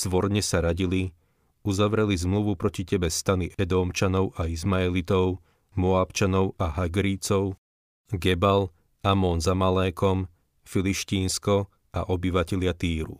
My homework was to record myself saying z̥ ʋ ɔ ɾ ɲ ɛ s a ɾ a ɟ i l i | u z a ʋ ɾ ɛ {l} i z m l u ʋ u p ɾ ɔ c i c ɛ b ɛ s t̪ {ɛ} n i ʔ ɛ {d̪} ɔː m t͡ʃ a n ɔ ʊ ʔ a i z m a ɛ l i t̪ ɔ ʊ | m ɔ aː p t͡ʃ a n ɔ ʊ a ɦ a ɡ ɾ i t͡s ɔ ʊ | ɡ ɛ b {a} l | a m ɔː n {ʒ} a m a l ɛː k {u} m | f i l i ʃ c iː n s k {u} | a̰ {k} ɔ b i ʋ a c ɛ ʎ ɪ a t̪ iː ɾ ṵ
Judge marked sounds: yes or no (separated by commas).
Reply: yes, no, yes, yes, no, no, no, no